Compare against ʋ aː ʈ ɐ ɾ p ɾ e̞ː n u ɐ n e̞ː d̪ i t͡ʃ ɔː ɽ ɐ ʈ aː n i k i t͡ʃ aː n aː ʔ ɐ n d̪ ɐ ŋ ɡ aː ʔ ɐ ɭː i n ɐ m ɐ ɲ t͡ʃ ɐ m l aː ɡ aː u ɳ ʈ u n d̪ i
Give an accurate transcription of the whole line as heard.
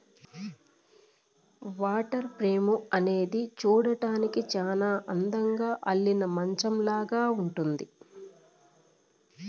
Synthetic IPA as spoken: ʋ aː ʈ ɐ ɾ p ɾ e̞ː m u ɐ n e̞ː d̪ i t͡ʃ uː ɽ ɐ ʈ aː n i k i t͡ʃ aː n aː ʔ ɐ n d̪ ɐ ŋ ɡ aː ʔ ɐ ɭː i n ɐ m ɐ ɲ t͡ʃ ɐ m l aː ɡ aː u ɳ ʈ u n d̪ i